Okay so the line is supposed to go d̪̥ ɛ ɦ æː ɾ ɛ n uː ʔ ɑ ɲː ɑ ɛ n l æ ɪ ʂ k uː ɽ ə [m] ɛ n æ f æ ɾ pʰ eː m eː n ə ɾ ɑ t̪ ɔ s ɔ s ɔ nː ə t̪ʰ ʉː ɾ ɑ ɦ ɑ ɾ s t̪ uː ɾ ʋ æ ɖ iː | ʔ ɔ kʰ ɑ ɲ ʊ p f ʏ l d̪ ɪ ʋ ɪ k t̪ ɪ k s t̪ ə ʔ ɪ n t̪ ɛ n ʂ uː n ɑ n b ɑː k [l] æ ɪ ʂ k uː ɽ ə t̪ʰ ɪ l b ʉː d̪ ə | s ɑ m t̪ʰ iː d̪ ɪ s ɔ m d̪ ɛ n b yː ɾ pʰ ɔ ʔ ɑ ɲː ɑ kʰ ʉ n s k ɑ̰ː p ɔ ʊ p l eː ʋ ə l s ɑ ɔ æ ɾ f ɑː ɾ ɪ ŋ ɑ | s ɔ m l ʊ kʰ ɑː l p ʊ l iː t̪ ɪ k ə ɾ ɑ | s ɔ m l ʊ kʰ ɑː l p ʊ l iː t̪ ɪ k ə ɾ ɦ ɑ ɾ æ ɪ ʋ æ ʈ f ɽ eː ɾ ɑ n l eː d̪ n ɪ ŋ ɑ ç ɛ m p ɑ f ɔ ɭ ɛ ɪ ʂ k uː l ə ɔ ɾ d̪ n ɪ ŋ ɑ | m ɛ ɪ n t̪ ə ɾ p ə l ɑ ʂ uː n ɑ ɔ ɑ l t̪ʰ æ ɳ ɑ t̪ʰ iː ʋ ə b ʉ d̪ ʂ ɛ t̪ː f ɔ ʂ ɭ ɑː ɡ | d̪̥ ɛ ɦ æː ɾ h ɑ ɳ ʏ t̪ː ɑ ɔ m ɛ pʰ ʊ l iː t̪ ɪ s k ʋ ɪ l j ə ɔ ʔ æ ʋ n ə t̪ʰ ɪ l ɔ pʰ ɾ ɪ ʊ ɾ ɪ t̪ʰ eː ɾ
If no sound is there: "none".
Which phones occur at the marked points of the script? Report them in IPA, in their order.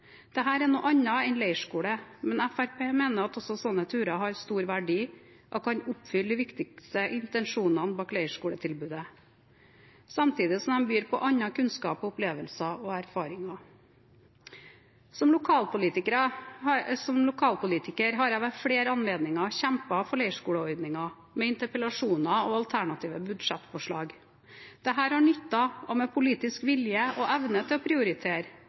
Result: m, l

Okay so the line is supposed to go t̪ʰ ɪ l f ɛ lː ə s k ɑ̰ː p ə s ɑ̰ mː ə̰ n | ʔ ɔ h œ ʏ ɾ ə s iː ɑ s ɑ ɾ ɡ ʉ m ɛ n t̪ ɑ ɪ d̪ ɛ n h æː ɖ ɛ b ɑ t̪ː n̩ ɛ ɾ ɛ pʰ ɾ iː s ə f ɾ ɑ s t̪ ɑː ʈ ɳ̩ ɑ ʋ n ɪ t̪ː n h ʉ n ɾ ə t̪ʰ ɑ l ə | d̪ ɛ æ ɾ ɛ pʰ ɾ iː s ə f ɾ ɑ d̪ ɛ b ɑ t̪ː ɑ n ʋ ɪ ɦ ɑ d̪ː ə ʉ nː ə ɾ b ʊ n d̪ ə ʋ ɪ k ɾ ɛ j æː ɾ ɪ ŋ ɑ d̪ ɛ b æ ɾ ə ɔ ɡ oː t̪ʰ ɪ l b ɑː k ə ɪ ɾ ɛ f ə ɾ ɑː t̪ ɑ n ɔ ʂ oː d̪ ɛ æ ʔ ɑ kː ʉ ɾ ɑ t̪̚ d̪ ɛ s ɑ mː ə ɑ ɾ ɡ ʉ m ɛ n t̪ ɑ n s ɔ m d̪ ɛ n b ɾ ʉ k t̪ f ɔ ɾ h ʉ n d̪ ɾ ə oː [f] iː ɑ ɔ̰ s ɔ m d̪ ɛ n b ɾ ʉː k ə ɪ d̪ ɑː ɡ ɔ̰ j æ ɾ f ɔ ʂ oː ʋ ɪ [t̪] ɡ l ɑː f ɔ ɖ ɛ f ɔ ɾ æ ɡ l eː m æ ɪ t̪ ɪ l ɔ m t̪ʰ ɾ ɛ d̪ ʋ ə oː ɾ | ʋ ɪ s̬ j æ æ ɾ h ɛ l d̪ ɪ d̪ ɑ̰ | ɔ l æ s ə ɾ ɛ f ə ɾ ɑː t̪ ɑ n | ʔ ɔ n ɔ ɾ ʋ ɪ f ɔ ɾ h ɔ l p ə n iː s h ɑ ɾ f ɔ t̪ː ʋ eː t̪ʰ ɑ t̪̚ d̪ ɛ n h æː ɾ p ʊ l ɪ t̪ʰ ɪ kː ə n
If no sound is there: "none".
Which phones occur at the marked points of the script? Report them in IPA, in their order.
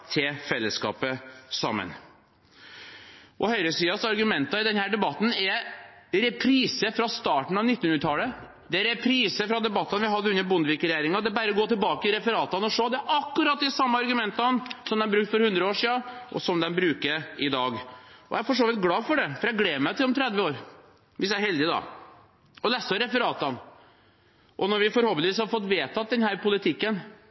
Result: ʂ, t̪

